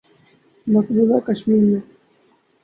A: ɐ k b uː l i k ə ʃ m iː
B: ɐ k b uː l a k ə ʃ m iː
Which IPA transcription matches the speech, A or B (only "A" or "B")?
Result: B